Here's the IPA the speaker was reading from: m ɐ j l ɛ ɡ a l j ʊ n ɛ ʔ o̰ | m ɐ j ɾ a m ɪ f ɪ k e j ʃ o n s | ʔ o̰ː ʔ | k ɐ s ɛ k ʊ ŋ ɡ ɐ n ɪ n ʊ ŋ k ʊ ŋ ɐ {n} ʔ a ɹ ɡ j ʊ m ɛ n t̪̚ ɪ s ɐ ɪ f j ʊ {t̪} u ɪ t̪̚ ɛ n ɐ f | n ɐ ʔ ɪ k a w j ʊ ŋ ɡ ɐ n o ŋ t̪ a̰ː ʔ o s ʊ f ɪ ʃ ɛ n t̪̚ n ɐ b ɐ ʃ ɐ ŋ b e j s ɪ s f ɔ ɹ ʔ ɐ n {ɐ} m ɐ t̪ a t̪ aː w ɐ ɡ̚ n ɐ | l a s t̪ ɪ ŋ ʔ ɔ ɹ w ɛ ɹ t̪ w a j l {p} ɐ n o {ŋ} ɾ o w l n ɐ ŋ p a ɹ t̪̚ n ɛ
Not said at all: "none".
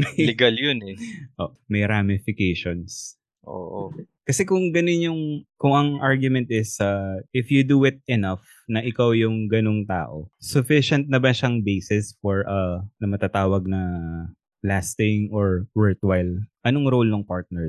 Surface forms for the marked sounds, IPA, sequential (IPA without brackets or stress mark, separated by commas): ŋ, d̪, ɐ, ʔ, ŋ